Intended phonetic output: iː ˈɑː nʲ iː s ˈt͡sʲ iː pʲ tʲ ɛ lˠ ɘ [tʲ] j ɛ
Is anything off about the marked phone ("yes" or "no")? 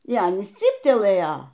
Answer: yes